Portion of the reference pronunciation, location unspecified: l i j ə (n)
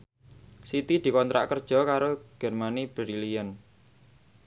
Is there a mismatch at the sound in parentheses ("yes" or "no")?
no